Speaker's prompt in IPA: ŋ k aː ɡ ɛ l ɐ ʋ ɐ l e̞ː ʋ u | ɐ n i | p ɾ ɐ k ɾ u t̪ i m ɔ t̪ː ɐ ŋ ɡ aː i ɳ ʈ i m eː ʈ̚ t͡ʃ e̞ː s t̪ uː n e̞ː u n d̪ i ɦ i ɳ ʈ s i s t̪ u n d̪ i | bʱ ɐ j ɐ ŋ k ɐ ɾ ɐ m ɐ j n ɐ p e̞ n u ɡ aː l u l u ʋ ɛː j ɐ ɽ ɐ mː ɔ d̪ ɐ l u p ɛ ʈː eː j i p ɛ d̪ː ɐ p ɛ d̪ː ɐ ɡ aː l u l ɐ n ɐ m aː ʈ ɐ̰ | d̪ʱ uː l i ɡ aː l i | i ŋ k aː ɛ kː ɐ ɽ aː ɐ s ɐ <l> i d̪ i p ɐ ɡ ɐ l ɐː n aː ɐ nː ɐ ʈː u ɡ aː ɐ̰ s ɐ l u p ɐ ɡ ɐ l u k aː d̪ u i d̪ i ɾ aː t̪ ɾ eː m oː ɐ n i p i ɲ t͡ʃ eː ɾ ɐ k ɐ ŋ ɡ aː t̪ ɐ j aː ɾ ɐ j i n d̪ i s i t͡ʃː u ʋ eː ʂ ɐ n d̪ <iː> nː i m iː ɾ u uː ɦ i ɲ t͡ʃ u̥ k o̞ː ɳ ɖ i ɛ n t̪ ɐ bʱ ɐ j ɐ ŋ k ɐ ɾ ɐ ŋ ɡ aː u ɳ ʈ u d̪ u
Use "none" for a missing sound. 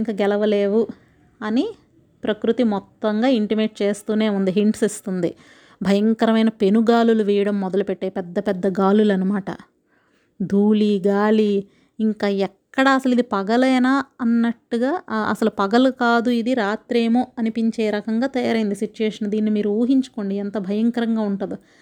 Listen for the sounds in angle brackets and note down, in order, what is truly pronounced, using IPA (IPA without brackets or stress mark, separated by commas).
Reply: l, iː